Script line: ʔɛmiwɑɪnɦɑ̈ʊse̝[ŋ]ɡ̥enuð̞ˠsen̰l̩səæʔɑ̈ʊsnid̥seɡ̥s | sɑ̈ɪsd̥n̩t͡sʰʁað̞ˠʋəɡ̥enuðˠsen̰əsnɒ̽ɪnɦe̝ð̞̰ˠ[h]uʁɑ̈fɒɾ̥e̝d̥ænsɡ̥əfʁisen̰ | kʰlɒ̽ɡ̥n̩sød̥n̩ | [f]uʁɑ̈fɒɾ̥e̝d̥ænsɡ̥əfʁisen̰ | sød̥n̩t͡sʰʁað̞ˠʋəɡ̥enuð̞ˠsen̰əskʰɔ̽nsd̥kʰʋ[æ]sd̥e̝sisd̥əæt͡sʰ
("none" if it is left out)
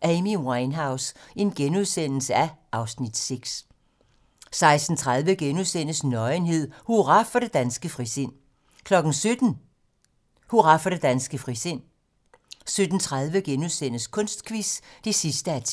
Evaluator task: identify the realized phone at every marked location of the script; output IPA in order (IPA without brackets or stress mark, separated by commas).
n, h, h, i